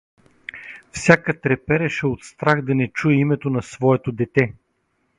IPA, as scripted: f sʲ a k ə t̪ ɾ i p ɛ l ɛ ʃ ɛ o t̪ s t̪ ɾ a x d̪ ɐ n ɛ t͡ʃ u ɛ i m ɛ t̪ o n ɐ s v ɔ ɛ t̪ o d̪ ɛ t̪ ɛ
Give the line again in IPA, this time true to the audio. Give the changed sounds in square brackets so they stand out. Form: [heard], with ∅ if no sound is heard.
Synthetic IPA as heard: f sʲ a k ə t̪ ɾ [ɛ] p ɛ [ɾ] ɛ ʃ ɛ o t̪ s t̪ ɾ a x d̪ ɐ n ɛ t͡ʃ u ɛ i m ɛ t̪ o n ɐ s v ɔ ɛ t̪ o d̪ ɛ t̪ ɛ